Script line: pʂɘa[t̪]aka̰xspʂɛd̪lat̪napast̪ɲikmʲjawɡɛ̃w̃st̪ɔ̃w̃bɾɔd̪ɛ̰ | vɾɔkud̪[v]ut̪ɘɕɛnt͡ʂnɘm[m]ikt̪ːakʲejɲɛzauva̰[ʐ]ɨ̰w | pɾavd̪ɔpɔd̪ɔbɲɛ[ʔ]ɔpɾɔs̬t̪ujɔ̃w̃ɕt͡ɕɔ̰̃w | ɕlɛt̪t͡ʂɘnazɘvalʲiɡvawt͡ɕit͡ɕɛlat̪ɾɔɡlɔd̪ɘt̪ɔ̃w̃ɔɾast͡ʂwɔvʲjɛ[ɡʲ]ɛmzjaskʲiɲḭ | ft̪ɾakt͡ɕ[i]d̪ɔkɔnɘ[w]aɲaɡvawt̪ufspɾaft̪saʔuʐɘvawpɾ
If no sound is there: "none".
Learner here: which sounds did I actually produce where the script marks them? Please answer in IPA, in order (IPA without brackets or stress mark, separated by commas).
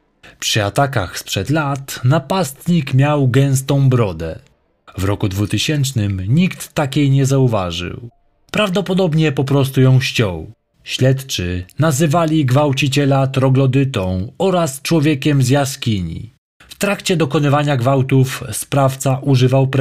t̪, v, ɲ, ʐ, p, kʲ, ɛ, v